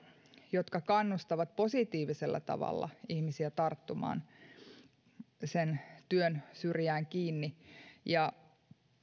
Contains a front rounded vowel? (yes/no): yes